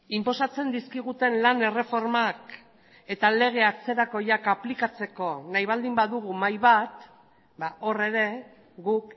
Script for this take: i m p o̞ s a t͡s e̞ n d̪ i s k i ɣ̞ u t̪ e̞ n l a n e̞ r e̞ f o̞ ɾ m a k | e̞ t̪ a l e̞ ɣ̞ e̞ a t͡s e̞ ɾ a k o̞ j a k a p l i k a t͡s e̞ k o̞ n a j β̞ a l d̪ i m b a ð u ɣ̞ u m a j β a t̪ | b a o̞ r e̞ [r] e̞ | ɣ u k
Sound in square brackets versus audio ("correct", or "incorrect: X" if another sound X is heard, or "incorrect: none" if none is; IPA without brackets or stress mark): incorrect: ɾ